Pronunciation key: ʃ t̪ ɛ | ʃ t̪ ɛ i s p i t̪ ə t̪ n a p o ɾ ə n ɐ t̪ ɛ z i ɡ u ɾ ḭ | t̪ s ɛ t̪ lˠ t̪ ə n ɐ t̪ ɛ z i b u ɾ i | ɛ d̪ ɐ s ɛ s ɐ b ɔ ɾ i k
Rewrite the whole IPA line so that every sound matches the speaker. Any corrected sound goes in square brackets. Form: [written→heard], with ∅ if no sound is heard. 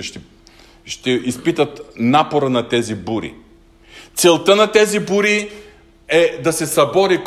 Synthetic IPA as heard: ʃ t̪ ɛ | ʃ t̪ ɛ i s p i t̪ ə t̪ n a p o ɾ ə n ɐ t̪ ɛ z i [ɡ→b] u ɾ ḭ | t̪ s ɛ [t̪→∅] lˠ t̪ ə n ɐ t̪ ɛ z i b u ɾ i | ɛ d̪ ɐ s ɛ s ɐ b ɔ ɾ i k